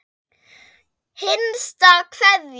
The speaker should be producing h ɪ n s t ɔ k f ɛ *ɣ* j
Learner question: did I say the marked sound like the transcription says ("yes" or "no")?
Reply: no